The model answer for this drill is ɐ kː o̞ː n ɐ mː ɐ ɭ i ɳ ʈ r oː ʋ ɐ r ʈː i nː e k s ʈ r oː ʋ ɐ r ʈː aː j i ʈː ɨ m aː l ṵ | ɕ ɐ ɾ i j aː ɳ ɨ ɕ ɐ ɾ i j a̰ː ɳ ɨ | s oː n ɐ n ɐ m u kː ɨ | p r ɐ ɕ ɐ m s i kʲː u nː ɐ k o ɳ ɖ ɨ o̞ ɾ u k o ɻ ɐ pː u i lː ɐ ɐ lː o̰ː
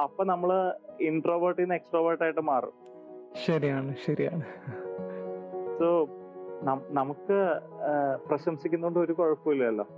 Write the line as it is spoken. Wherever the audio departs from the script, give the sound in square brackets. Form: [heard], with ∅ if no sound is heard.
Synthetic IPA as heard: ɐ [pː] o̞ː n ɐ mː ɐ ɭ i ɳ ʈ r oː ʋ ɐ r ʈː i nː e k s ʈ r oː ʋ ɐ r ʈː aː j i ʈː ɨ m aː [r] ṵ | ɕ ɐ ɾ i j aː ɳ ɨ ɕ ɐ ɾ i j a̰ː ɳ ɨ | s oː n ɐ n ɐ m u kː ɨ | p r ɐ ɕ ɐ m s i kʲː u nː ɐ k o ɳ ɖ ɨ o̞ ɾ u k o ɻ ɐ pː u i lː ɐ ɐ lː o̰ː